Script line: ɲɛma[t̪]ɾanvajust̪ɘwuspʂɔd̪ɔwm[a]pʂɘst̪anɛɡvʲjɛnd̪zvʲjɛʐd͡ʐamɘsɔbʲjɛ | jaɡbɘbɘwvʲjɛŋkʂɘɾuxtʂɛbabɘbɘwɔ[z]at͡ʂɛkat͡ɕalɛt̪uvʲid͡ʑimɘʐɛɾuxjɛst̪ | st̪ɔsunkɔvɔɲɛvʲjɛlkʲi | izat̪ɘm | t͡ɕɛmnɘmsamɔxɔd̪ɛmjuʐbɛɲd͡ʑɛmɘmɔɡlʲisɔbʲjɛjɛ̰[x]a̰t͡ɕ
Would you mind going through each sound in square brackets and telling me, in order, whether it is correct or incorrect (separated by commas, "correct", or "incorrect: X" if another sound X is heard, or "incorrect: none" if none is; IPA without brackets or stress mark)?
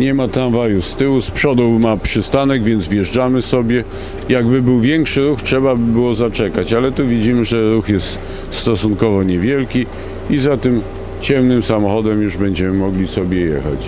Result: correct, correct, correct, correct